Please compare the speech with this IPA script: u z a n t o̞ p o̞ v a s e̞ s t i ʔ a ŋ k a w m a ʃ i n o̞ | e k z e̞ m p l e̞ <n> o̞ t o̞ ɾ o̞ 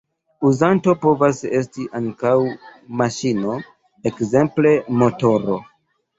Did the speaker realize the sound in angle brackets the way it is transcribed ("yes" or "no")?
no